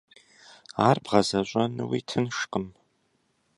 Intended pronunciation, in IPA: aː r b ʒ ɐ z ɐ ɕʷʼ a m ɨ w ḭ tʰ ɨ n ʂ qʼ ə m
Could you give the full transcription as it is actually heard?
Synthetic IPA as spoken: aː r b ʁ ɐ z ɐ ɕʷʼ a n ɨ w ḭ tʰ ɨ n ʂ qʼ ə m

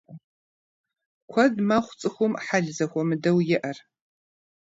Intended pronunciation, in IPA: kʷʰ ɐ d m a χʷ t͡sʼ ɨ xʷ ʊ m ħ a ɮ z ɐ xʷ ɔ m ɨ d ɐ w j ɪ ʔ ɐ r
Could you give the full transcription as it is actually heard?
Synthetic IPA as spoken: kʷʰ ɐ d m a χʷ t͡sʼ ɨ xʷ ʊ m ħ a ɮ z ɐ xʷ ɔ m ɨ d ɐ w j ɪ ʔ ɐ r

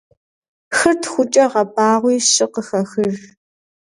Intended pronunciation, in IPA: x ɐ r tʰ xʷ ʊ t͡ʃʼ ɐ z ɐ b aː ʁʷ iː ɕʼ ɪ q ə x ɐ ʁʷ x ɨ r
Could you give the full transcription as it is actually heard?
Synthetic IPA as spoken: x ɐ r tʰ xʷ ʊ t͡ʃʼ ɐ ʁ ɐ b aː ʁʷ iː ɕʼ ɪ q ə x ɐ x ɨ r

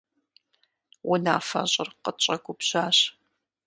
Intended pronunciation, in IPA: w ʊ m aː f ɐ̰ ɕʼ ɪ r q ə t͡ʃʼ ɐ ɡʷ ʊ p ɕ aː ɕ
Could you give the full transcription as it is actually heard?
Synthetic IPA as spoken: w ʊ n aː f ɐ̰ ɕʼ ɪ r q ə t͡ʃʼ ɐ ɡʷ ʊ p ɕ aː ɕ

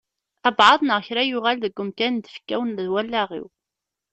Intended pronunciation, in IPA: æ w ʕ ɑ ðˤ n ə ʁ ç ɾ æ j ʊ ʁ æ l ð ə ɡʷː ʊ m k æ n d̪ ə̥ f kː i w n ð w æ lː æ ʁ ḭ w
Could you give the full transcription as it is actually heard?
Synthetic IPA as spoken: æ b ʕ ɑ ðˤ n ə ʁ ç ɾ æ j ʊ ʁ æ l ð ə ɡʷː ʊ m k æ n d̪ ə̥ f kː æ w n ð w æ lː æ ʁ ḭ w

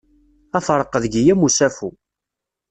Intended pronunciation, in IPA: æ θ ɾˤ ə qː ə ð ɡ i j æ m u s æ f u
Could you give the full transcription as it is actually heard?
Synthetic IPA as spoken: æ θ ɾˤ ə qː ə ð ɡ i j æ m u s æ f u

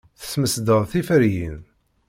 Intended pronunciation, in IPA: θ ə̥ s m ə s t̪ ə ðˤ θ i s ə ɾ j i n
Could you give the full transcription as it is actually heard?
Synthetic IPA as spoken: θ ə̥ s m ə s d̪ ə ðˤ θ i f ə ɾ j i n

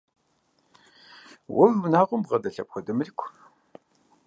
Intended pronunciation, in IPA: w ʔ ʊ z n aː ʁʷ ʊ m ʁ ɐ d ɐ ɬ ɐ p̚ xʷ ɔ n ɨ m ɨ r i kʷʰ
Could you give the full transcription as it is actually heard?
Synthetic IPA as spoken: w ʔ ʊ v n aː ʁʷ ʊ m ʁ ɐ d ɐ ɬ ɐ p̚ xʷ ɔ d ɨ m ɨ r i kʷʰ

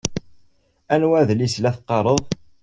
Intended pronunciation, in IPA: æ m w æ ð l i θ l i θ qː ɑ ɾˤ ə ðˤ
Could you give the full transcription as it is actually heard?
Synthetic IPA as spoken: æ n w æ ð l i s l æ θ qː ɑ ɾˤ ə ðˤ

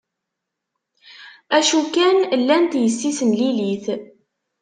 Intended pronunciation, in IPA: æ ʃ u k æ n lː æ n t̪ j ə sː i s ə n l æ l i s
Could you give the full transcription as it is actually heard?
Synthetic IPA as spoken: æ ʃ u k æ n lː æ n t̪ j ə sː i s ə n l i l i θ

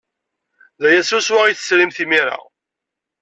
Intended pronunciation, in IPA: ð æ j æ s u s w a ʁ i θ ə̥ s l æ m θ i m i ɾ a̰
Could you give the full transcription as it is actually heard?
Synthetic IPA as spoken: ð æ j æ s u s w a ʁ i θ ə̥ s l i m θ i m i ɾ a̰

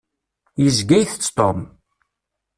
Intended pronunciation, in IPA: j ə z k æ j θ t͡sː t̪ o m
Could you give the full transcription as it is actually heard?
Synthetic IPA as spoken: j ə z ɡ æ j θ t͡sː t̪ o m

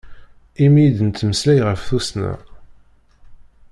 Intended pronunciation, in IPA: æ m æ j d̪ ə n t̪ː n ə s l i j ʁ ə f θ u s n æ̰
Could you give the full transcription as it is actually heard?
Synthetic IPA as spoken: i m i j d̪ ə n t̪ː m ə s l æ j ʁ ə f θ u s n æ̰

